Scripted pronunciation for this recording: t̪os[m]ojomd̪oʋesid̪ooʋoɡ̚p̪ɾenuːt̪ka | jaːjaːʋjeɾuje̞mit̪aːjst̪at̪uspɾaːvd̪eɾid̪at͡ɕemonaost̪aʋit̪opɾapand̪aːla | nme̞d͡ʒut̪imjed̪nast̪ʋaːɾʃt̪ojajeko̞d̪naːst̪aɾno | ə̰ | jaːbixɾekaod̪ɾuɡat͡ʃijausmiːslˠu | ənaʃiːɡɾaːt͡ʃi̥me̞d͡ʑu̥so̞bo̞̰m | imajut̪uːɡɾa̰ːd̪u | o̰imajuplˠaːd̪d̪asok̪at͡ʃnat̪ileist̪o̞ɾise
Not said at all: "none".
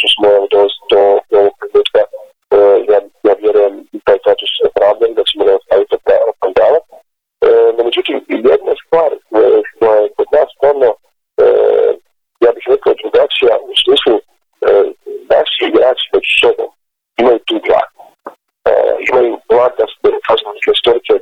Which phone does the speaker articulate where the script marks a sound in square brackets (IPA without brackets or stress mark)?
m